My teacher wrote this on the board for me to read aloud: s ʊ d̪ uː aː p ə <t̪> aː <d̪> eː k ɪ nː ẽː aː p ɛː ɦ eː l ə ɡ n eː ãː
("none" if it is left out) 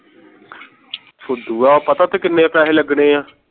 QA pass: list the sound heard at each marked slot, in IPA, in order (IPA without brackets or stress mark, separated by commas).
t̪, t̪